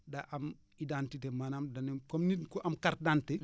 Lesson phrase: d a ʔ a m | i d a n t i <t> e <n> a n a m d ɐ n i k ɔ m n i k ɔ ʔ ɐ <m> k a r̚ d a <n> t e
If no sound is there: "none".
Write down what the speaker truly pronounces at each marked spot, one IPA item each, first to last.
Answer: t, m, m, n

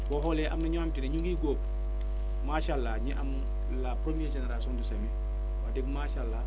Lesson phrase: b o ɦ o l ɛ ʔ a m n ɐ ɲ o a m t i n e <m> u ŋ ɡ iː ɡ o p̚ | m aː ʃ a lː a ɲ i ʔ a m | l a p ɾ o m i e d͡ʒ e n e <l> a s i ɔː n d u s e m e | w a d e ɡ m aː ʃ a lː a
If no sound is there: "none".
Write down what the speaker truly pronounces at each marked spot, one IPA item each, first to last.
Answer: ɲ, ɾ

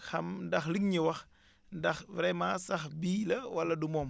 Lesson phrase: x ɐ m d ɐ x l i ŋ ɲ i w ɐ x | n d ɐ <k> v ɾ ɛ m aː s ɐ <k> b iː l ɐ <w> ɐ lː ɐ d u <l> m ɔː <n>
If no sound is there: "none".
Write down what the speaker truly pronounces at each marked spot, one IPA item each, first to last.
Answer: x, x, w, none, m

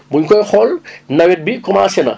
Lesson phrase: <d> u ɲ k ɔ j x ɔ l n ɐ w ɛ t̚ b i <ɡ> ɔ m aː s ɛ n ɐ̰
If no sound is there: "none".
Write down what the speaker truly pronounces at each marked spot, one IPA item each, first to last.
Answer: b, k

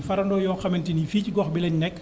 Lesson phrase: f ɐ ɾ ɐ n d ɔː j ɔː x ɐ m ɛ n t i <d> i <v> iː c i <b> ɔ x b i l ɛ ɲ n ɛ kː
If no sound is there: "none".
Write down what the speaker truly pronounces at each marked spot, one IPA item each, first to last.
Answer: n, f, ɡ

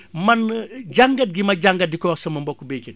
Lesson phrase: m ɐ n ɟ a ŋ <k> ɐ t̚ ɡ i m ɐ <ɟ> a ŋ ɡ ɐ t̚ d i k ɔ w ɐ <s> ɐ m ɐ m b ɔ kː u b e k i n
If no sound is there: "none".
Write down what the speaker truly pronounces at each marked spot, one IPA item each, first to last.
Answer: ɡ, ɟ, s

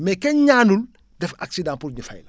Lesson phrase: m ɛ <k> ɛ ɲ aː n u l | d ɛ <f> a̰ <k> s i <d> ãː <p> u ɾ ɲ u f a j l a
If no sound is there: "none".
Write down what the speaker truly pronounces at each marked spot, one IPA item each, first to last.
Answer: k, f, k, d, p

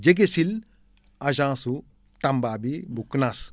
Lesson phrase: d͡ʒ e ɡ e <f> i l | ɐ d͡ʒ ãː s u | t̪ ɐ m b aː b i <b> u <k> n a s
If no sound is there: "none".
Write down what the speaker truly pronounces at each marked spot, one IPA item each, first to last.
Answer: s, b, k

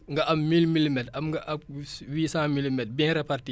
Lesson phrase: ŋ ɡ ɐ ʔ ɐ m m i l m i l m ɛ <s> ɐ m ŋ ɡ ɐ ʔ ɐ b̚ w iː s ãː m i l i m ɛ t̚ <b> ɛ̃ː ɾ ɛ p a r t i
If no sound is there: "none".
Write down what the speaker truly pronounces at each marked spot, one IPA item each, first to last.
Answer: t, b

